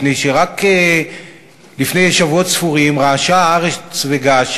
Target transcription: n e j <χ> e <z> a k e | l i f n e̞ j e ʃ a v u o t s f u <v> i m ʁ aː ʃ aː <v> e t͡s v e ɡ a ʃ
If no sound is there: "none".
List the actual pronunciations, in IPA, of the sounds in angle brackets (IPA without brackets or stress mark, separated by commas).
ʃ, ʁ, ʁ, ʁ